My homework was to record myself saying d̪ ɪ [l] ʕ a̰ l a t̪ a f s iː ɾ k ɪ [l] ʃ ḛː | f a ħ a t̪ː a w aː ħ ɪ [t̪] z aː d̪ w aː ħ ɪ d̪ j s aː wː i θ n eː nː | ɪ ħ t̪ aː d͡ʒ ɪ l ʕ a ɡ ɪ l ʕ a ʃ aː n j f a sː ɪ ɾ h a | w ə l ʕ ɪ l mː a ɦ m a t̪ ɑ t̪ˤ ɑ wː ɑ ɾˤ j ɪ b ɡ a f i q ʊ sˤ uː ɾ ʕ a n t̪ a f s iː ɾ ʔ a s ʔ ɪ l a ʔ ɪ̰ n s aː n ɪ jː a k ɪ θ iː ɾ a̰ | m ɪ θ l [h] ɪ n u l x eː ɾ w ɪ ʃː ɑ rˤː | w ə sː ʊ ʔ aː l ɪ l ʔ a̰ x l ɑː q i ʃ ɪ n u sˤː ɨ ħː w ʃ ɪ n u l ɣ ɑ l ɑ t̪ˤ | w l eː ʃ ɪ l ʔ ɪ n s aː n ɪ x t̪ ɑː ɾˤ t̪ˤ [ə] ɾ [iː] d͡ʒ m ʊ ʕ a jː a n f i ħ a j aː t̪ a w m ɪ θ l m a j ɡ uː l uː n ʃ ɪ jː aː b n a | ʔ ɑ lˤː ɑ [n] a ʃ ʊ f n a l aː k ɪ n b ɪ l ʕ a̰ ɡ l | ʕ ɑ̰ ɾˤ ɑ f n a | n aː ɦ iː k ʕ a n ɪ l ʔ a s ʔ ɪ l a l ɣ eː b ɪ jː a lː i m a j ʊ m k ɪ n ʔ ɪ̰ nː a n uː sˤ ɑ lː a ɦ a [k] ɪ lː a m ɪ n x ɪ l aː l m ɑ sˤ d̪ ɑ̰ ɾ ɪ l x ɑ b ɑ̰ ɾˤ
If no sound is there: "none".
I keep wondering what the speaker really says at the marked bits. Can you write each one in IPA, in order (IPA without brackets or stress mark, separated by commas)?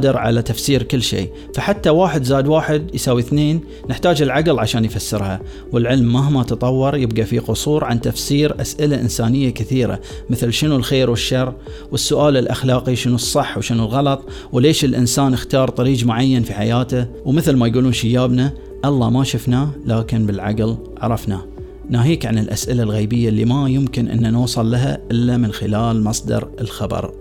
ɾ, lː, d̪, ʃ, ɑ, iː, m, ʔ